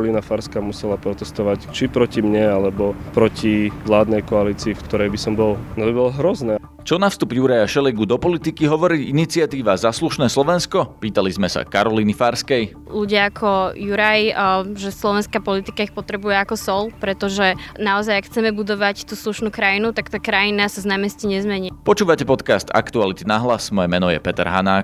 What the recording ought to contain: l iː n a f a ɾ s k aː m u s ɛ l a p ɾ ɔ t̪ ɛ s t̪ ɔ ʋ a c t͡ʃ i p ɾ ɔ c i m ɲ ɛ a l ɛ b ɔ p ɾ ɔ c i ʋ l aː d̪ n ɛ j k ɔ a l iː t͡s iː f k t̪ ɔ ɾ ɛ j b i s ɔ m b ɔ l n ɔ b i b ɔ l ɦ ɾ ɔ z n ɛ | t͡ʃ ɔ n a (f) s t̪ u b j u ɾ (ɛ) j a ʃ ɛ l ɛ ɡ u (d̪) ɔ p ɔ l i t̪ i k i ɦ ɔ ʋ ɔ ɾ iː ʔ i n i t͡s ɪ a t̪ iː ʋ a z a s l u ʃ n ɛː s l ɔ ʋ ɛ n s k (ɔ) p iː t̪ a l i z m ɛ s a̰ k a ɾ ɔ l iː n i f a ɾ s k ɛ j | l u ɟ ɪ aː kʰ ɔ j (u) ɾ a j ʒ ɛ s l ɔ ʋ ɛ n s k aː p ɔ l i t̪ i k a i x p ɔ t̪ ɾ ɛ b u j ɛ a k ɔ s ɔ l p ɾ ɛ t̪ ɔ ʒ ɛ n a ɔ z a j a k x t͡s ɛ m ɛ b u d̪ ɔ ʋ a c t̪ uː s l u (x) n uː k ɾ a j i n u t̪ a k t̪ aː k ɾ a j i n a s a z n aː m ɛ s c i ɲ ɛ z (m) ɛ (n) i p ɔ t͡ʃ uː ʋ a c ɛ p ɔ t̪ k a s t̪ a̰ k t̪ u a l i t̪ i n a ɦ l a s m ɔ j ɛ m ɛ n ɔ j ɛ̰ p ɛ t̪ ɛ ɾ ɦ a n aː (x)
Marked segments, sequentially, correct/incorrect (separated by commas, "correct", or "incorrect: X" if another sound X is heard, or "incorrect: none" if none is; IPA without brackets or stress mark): correct, incorrect: a, correct, correct, correct, incorrect: ʃ, correct, incorrect: ɲ, incorrect: k